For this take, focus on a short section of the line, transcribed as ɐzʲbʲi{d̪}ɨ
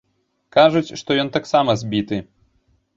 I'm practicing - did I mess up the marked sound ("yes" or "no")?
yes